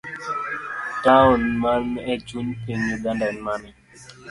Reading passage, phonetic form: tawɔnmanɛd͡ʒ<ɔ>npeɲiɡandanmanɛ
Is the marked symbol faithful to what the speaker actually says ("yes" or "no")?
no